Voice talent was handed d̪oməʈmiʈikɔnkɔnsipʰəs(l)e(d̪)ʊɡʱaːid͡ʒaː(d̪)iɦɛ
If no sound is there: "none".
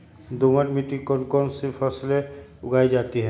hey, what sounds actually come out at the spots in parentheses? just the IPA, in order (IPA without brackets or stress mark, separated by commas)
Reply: l, none, t̪